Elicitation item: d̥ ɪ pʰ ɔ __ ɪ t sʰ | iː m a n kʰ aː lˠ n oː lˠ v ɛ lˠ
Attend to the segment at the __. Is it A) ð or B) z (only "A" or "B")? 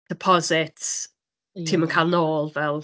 B